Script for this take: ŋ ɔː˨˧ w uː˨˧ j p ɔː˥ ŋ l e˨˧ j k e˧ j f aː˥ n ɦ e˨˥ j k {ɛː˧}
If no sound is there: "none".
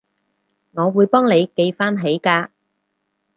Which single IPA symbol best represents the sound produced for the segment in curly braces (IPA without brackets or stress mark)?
aː˧